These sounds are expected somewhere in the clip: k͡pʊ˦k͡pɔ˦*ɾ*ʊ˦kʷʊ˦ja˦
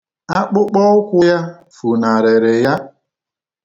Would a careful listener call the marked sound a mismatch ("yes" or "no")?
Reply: yes